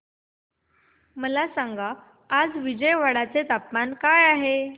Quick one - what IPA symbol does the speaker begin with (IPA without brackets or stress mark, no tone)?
m